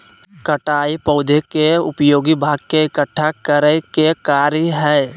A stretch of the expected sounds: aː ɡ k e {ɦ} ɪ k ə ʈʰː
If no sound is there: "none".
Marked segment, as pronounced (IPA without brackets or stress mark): none